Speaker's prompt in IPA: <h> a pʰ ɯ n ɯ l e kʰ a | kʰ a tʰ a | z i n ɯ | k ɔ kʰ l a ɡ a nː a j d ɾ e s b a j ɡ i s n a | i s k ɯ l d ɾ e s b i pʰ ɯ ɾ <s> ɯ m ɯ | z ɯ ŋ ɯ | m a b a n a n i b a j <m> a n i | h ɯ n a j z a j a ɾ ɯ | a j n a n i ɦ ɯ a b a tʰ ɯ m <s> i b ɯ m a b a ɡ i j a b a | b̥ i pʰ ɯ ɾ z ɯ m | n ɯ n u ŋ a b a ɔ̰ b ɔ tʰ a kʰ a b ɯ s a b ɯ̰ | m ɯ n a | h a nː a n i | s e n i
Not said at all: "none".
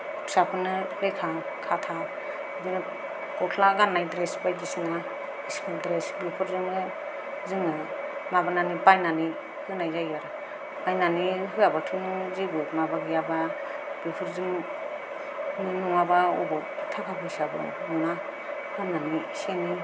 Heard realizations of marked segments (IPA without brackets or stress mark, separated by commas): s, z, n, z